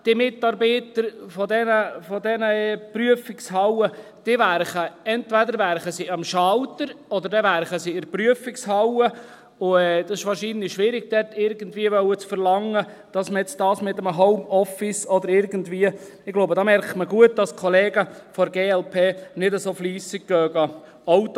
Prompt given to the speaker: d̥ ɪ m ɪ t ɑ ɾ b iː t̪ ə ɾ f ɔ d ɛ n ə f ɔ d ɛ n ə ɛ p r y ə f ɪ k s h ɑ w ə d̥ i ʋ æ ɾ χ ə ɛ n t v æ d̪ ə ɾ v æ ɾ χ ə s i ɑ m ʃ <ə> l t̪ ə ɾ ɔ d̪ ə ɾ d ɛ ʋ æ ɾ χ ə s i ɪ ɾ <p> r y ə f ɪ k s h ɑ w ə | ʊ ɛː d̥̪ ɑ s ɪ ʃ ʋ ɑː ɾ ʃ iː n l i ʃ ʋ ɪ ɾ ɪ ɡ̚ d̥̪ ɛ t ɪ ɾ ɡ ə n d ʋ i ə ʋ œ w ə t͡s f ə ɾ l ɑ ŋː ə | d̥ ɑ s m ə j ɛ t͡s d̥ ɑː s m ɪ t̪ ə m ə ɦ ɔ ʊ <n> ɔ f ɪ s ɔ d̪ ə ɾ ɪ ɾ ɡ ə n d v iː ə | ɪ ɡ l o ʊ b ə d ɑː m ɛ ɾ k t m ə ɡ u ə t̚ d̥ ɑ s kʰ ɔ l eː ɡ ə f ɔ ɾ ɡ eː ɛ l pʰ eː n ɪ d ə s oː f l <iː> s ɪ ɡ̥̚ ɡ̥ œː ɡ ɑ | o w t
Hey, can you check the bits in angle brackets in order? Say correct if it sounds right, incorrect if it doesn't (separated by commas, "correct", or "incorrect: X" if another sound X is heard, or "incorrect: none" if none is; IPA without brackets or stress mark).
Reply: incorrect: ɑ, correct, incorrect: m, correct